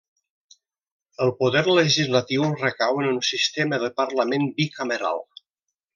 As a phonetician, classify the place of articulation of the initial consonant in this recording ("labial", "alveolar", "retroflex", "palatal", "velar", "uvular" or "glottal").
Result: alveolar